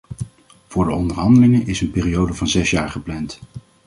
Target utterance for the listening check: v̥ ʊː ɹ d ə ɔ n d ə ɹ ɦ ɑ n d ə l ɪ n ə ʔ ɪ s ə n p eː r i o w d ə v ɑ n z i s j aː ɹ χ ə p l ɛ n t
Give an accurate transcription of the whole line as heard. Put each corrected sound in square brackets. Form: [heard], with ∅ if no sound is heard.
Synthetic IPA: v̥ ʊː ɹ d ə ɔ n d ə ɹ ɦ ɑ n d ə l ɪ [ŋ] ə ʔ ɪ s ə n p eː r i o w d ə v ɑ n z [ɛ] s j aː ɹ χ ə p l ɛ n t